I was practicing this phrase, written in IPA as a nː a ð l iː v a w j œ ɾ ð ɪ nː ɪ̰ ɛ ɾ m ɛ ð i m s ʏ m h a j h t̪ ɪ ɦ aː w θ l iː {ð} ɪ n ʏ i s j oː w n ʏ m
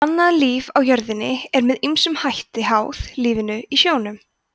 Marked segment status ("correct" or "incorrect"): incorrect